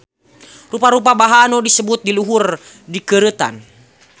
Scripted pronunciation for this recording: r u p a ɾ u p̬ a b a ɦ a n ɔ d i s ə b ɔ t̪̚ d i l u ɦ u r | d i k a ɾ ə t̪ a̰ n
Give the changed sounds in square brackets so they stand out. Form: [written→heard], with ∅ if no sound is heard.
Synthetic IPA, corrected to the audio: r u p a ɾ u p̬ a b a ɦ a n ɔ d i s ə b [ɔ→u] t̪̚ d i l u ɦ u r | d i k [a→ə] ɾ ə t̪ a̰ n